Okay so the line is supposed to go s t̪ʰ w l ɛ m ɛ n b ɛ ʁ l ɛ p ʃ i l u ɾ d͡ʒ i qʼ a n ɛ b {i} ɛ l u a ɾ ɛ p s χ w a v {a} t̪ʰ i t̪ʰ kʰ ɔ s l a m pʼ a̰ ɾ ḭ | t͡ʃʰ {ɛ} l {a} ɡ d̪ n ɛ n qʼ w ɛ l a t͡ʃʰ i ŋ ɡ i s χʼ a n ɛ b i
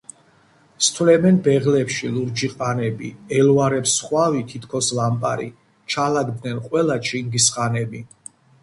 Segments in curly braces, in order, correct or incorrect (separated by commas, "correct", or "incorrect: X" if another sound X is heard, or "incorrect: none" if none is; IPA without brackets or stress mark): correct, incorrect: i, incorrect: a, correct